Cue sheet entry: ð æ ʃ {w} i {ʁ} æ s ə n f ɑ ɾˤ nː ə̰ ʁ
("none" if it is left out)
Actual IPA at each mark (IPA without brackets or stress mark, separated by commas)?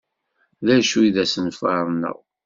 u, ð